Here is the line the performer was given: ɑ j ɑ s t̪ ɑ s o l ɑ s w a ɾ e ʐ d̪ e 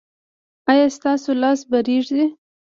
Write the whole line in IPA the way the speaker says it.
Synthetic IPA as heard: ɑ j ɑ s t̪ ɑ s o l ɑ s b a ɾ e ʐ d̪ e